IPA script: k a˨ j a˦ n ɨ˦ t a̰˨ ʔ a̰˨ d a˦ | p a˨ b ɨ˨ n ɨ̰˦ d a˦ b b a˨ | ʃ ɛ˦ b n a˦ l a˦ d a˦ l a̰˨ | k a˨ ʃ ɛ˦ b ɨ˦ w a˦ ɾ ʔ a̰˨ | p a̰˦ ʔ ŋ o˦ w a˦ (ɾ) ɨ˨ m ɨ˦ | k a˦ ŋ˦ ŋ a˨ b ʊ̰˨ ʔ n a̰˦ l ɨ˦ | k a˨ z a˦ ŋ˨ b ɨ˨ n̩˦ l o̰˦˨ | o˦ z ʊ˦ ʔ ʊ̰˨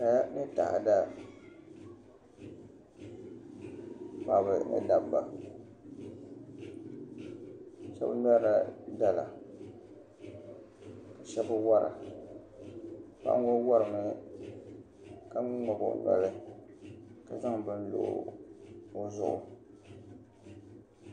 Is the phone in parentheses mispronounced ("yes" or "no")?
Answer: no